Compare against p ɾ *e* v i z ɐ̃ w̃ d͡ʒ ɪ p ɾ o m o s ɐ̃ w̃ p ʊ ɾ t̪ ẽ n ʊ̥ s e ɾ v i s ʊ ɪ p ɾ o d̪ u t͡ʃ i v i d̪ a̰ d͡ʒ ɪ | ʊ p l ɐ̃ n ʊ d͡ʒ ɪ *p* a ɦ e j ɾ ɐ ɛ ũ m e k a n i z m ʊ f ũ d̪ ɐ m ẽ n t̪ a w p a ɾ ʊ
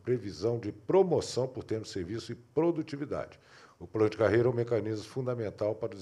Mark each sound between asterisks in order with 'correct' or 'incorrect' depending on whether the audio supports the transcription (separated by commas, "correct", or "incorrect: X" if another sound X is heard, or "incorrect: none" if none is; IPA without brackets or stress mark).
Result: correct, incorrect: k